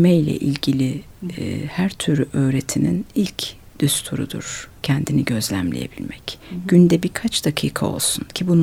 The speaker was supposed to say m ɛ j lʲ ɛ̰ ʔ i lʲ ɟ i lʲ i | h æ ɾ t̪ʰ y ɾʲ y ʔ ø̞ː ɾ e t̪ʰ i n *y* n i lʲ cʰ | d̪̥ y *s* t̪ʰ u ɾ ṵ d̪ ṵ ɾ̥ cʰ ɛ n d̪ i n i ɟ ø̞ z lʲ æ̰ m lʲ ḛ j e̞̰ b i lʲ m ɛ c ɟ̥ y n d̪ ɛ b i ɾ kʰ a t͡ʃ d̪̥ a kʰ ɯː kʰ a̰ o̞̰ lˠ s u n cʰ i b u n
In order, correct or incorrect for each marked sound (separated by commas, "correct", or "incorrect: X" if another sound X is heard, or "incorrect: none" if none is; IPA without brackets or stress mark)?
incorrect: i, correct